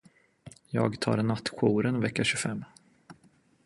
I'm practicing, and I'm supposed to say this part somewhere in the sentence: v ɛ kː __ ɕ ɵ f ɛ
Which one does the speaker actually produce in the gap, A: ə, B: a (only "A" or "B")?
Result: B